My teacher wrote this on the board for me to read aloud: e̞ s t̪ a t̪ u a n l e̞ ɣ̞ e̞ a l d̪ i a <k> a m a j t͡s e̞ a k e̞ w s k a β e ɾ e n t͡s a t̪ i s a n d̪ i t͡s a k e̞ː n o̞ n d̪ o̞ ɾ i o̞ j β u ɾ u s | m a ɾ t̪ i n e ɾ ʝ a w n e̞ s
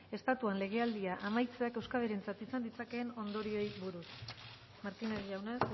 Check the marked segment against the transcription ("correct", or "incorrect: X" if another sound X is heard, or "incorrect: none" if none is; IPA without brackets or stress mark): incorrect: ʔ